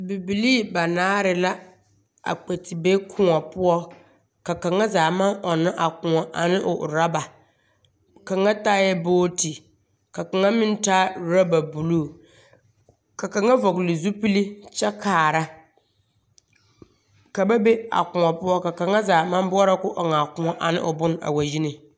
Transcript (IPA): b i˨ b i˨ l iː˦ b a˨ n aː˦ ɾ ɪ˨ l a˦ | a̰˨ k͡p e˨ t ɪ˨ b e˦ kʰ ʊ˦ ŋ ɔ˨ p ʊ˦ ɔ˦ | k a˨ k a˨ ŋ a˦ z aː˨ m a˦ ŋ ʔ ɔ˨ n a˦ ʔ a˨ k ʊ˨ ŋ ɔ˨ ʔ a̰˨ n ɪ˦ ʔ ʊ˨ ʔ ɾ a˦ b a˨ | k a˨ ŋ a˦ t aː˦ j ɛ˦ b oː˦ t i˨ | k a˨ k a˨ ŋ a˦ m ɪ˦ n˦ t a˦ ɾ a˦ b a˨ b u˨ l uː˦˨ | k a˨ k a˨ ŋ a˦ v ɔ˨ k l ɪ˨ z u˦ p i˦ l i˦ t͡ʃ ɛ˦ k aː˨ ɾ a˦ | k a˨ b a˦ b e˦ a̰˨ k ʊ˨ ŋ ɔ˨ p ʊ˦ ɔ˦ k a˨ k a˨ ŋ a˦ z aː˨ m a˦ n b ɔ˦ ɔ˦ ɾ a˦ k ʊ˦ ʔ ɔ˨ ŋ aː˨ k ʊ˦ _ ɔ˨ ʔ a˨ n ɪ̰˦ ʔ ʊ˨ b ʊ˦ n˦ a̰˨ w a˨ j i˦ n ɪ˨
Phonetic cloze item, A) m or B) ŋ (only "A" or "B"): B